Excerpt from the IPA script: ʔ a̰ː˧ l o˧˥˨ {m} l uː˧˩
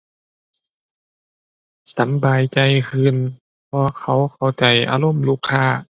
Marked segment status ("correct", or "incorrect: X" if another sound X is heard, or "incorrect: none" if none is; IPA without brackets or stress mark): correct